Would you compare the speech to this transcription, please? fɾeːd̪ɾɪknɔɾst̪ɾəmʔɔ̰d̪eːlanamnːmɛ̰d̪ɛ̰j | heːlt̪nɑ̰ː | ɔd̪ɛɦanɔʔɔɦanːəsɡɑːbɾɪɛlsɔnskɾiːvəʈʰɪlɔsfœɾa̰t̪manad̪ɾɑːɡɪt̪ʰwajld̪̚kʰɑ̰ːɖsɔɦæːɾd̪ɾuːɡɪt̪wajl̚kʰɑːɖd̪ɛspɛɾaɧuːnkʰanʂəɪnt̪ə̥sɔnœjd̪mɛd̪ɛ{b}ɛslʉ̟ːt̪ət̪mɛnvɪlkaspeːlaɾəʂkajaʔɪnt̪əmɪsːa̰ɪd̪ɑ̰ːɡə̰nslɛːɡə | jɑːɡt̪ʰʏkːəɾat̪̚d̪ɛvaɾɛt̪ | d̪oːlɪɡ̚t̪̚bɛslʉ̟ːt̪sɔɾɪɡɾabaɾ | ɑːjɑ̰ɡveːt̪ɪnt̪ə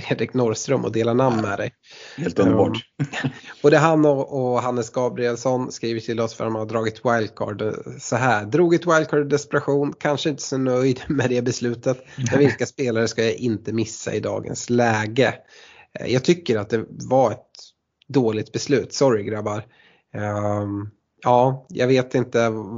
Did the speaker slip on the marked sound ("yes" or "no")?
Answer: no